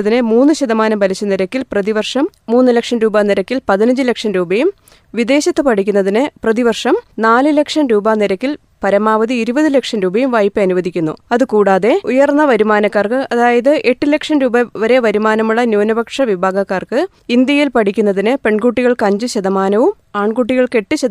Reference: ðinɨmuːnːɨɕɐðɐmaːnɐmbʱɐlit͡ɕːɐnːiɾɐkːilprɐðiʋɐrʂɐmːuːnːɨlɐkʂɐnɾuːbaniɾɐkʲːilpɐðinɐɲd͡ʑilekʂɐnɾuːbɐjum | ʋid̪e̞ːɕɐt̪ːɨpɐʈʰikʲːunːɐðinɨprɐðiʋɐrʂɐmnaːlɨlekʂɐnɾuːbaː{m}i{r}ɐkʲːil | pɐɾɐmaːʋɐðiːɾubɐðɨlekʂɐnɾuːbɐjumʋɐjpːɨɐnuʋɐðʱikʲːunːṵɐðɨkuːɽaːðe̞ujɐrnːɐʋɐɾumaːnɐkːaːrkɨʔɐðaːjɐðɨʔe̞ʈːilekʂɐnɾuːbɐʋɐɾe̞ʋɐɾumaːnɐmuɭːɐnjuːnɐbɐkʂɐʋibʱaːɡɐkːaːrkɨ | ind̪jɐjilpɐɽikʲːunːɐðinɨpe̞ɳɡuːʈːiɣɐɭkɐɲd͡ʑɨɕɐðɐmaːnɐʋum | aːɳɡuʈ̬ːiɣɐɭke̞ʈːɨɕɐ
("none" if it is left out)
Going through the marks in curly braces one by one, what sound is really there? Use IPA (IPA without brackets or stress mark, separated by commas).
n, ɾ